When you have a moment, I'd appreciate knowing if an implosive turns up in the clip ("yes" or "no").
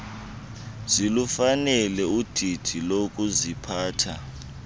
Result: no